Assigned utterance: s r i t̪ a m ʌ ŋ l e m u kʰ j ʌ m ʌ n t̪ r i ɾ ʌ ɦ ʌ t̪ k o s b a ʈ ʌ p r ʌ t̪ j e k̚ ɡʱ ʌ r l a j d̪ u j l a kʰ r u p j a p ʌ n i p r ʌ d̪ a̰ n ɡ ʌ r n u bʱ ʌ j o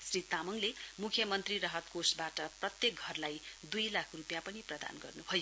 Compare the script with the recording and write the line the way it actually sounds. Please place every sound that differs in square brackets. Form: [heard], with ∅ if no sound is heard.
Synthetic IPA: s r i t̪ a m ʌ ŋ l e m u kʰ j ʌ m ʌ n t̪ r i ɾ ʌ ɦ ʌ t̪ k o s b a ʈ ʌ p r ʌ t̪ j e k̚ ɡʱ ʌ r l a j d̪ u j l a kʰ r u p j a p ʌ n i p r ʌ d̪ a̰ n ɡ ʌ r n u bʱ ʌ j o